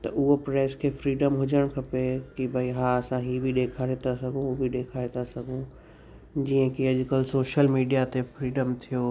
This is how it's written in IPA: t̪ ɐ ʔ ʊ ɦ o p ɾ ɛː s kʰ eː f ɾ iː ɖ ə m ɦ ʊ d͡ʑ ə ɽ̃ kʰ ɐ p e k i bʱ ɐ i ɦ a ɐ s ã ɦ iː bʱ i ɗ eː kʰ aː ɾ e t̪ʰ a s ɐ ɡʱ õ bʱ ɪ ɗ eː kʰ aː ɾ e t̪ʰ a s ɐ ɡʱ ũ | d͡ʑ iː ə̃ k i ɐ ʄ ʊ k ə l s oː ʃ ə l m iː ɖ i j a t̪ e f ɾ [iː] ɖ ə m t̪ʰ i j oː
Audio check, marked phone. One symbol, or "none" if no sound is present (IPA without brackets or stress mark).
iː